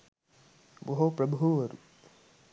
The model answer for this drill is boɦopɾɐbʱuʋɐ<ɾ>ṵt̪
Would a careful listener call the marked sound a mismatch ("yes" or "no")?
no